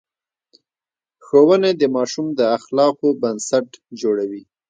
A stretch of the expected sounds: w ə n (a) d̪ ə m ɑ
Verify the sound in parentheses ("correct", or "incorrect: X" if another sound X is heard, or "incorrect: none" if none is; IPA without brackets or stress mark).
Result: incorrect: e